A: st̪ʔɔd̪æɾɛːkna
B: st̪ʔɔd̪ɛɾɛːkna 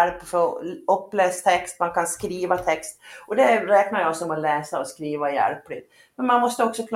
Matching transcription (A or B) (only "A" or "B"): B